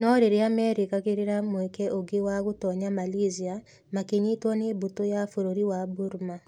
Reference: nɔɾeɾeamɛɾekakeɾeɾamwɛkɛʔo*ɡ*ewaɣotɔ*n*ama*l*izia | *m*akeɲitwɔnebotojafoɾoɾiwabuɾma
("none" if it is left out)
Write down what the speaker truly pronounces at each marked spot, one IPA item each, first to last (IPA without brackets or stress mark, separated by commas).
ɡ, ɲ, l, m